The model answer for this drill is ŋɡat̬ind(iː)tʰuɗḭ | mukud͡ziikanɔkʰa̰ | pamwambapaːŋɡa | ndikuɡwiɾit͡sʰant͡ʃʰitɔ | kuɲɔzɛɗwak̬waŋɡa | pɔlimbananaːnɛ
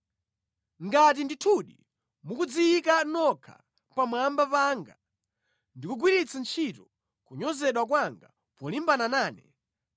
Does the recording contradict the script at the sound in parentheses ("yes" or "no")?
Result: yes